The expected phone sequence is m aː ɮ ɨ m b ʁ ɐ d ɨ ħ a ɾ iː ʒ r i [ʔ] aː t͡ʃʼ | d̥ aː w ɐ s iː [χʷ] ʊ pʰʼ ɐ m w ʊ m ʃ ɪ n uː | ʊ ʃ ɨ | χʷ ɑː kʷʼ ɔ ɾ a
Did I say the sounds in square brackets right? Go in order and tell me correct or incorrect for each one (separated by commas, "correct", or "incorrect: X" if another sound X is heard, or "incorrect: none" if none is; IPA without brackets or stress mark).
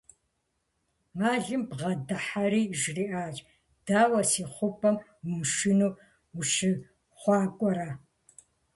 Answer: correct, correct